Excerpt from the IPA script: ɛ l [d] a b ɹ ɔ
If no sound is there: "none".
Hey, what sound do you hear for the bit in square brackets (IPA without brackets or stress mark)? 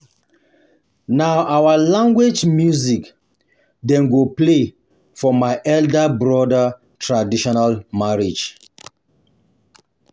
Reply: d